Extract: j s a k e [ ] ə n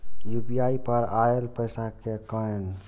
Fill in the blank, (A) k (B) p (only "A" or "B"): A